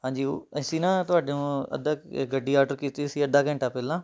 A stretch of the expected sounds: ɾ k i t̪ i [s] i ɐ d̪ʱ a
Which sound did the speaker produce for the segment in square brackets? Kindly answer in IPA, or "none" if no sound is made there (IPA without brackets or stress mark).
s